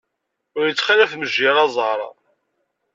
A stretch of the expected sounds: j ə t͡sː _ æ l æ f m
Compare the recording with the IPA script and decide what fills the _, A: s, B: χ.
B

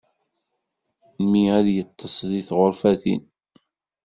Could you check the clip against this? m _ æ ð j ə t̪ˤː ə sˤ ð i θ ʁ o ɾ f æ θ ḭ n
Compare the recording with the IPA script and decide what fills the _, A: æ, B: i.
B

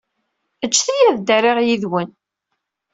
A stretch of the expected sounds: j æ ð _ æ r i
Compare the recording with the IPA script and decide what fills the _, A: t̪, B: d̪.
B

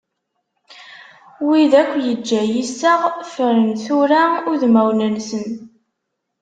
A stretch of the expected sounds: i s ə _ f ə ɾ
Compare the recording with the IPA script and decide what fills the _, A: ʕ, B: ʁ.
B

